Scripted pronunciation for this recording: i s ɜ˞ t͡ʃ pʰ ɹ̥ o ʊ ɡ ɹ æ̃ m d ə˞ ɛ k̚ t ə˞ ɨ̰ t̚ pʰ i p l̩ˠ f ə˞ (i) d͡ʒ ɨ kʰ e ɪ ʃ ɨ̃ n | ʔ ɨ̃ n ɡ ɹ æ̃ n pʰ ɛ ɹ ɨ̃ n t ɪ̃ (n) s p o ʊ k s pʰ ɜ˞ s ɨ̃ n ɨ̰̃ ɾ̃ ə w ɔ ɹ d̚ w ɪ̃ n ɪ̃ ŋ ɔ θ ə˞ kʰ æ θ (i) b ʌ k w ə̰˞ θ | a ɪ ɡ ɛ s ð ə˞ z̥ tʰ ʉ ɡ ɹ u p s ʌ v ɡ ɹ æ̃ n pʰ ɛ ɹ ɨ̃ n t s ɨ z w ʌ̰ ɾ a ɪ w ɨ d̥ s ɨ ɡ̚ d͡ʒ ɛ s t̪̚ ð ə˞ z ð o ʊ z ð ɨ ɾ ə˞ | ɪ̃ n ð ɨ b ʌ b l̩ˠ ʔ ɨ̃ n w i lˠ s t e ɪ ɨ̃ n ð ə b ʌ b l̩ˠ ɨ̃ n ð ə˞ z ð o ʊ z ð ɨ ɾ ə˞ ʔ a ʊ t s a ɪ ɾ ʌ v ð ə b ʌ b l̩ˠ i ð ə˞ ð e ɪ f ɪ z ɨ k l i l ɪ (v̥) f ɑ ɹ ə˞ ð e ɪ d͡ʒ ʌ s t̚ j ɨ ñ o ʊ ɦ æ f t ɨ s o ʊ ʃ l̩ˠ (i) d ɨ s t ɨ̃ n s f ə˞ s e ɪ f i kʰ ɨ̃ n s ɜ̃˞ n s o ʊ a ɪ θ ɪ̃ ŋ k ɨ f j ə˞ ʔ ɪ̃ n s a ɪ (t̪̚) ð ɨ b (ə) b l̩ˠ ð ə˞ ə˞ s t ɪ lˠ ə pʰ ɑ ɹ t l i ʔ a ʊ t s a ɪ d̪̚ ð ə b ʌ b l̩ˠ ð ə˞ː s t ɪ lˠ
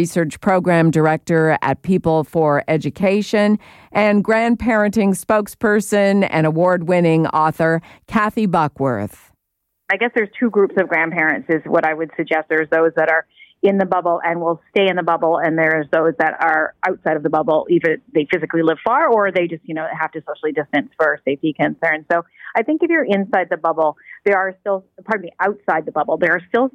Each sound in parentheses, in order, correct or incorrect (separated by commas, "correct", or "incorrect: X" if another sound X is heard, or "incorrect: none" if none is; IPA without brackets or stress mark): incorrect: ɛ, incorrect: ŋ, correct, correct, correct, incorrect: d̪̚, incorrect: ʌ